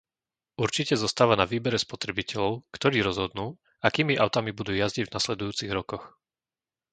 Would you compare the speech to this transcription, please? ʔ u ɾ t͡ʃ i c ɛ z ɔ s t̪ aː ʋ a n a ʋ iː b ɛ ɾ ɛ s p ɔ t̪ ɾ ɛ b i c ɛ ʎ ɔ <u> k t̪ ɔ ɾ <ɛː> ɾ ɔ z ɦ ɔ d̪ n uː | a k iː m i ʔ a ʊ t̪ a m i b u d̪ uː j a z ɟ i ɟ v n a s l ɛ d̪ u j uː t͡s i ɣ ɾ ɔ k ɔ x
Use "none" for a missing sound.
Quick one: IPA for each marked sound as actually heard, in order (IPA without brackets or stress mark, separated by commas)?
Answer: ʊ, iː